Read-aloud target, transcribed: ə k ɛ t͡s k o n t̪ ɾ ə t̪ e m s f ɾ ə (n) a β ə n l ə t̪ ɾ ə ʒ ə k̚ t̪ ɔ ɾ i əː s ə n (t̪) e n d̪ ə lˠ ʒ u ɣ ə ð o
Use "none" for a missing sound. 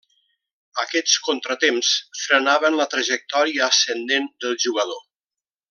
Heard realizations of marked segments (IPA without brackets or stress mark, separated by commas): n, d̪